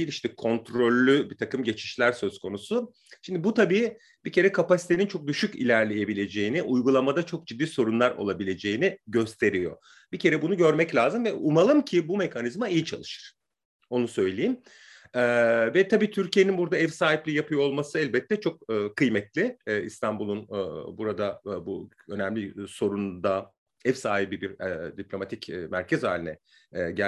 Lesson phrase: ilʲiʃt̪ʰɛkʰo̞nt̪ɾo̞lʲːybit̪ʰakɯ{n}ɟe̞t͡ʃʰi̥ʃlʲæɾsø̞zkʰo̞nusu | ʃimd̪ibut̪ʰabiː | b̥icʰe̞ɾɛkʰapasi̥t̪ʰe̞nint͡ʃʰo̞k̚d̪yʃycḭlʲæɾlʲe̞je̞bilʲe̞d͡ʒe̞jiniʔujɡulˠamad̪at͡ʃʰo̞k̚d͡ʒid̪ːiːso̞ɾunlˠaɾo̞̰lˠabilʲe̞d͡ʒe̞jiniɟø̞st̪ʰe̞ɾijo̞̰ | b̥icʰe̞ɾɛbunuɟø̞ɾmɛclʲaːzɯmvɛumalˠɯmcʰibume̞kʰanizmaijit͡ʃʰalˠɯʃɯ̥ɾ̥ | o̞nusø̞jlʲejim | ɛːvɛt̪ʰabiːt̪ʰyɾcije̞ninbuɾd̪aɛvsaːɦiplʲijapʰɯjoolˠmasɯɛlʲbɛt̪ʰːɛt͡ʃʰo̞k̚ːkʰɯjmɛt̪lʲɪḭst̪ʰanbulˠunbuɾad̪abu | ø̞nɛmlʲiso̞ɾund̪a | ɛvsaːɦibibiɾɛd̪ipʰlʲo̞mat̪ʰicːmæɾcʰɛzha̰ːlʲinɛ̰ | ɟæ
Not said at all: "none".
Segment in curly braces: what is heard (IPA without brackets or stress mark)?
m